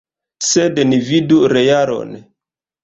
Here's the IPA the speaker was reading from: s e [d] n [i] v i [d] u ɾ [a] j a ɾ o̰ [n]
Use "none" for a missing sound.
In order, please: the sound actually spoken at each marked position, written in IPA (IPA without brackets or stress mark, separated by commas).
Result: d, i, d, e, n